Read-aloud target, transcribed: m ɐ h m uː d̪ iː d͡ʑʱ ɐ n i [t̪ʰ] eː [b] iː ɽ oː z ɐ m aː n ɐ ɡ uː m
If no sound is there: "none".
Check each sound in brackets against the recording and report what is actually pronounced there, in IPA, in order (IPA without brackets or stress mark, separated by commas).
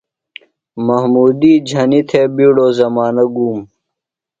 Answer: t̪ʰ, b